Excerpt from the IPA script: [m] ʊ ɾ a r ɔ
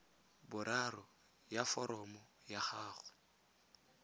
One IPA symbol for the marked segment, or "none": b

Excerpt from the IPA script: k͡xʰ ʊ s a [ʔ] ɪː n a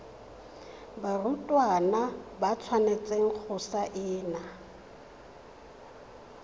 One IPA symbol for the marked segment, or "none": ʔ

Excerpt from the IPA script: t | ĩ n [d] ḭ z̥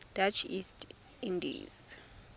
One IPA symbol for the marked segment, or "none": d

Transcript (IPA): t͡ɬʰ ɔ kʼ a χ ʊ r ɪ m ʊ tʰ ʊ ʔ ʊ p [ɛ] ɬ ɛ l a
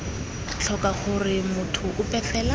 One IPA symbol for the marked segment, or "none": ɛ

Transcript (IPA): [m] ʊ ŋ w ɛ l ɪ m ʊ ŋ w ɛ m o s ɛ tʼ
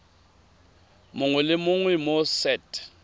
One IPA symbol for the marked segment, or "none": m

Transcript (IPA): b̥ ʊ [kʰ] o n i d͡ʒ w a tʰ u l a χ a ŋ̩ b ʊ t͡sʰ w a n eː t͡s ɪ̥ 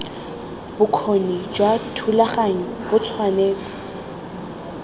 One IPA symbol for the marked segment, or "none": kʰ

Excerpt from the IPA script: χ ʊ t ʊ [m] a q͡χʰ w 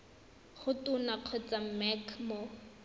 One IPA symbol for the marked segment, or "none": n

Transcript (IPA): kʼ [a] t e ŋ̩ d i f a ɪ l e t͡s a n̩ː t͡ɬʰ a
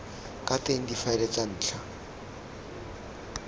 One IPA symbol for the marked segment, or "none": a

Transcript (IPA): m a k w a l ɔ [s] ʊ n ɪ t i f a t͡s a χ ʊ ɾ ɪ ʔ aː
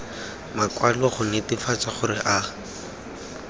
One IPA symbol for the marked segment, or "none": χ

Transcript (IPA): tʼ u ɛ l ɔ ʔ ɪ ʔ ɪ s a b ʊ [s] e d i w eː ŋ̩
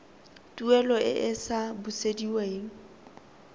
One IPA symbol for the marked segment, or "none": s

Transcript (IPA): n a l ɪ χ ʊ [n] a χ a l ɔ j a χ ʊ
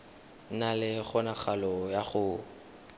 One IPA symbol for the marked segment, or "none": n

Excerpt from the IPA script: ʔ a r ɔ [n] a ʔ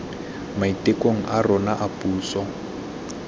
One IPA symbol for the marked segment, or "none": n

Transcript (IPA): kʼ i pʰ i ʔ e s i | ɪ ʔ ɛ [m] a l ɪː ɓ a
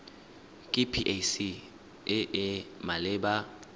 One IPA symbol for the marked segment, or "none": m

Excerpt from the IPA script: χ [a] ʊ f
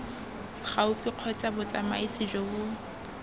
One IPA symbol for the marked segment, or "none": a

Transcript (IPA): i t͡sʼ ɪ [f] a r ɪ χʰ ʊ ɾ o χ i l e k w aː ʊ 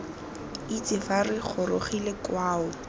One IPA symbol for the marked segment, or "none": f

